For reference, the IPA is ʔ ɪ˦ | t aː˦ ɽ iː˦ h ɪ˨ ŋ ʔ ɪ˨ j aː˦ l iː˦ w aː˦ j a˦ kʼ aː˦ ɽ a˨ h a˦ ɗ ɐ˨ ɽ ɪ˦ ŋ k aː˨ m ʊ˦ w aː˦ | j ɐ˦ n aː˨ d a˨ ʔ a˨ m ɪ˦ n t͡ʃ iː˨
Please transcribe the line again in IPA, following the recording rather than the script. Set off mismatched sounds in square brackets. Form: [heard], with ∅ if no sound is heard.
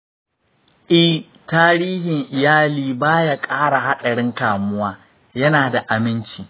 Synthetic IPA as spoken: ʔ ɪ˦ | t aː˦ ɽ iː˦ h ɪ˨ ŋ ʔ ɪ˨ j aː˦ l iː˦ [b] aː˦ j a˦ kʼ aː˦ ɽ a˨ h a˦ ɗ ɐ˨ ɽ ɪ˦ ŋ k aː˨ m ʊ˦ w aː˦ | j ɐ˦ n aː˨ d a˨ ʔ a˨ m ɪ˦ n t͡ʃ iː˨

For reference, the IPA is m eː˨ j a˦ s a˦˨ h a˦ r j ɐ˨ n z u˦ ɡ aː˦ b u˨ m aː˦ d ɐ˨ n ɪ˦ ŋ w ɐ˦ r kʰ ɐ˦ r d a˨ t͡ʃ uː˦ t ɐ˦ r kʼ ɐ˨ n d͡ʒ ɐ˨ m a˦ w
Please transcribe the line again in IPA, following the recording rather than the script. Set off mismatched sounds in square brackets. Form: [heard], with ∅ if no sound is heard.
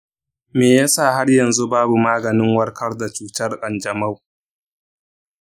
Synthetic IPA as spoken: m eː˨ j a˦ s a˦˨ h a˦ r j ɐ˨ n z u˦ [b] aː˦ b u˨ m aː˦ [ɡ] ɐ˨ n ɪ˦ ŋ w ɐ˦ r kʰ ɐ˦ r d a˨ t͡ʃ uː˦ t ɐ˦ r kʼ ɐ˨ n d͡ʒ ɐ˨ m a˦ w

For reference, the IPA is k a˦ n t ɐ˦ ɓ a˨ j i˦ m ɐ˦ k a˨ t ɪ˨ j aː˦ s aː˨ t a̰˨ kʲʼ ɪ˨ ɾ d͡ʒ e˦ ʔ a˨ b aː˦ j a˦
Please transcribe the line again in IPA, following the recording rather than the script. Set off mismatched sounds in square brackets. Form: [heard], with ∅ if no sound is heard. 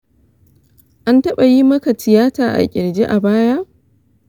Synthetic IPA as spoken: [ʔ] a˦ n t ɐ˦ ɓ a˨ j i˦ m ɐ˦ k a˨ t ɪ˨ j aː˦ [t] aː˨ [ʔ] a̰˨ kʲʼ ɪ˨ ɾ d͡ʒ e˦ ʔ a˨ b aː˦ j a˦

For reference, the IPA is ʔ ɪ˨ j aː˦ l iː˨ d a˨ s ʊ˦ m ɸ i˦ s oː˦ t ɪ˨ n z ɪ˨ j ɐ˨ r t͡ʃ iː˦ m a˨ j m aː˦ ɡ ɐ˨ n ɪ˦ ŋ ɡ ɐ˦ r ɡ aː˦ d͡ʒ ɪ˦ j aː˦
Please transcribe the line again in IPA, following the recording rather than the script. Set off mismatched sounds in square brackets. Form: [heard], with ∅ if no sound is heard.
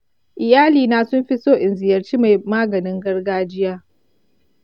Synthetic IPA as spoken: ʔ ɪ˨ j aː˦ l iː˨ [n] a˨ s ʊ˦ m ɸ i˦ s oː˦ [ʔ] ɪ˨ n z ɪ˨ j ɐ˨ r t͡ʃ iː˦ m a˨ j m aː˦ ɡ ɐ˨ n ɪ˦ ŋ ɡ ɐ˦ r ɡ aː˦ d͡ʒ ɪ˦ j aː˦

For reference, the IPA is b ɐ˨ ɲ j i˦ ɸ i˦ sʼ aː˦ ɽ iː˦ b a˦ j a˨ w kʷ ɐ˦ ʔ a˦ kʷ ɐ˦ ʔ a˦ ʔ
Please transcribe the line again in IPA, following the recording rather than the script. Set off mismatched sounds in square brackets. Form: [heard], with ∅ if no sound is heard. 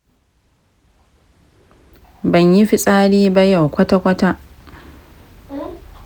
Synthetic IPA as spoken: b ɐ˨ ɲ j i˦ ɸ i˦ sʼ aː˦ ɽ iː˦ b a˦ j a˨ w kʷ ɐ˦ [t] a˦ kʷ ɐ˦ [t] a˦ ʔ

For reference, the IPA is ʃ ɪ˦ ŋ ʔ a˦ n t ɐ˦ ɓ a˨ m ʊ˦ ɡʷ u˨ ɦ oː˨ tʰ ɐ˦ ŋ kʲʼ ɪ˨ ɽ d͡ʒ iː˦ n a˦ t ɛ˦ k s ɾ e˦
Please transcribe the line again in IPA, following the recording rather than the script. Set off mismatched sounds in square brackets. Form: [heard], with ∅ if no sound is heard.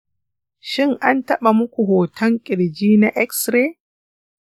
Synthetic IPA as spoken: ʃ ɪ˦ ŋ ʔ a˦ n t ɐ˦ ɓ a˨ m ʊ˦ [kʷ] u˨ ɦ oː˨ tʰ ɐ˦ ŋ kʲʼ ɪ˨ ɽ d͡ʒ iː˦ n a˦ [ʔ] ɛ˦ k s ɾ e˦

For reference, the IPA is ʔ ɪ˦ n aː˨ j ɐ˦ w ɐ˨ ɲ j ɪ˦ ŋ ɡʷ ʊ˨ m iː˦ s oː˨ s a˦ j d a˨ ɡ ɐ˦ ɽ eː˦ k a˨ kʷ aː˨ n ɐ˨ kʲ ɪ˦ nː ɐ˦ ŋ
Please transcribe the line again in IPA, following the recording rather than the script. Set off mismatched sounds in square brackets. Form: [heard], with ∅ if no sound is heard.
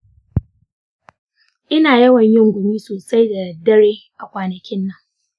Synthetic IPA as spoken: ʔ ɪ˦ n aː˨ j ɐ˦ w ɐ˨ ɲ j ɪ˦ ŋ ɡʷ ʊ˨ m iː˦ s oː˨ s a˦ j d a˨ [d] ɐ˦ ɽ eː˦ [ʔ] a˨ kʷ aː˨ n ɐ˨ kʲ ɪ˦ nː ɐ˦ ŋ

